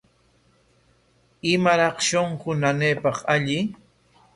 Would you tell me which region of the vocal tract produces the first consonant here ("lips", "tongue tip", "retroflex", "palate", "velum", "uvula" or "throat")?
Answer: lips